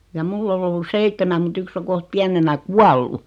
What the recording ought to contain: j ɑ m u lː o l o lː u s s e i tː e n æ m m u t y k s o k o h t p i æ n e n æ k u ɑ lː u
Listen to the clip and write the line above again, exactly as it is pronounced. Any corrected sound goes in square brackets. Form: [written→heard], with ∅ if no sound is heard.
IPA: j ɑ m u lː o l o lː u s s e i tː e [n→m] æ m m u t y k s o k o h t p i æ n e n æ k u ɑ lː u